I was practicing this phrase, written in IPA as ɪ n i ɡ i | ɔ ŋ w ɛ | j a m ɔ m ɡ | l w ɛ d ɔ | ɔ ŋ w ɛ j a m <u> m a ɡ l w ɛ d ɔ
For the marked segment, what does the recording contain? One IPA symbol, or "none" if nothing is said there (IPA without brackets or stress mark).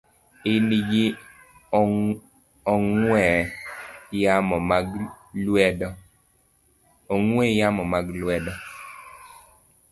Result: ɔ